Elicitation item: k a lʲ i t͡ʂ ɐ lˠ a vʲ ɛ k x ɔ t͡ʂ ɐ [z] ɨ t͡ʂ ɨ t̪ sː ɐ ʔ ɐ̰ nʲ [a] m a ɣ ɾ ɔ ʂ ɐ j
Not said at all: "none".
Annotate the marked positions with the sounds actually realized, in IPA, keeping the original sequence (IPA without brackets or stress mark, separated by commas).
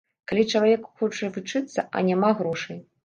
v, a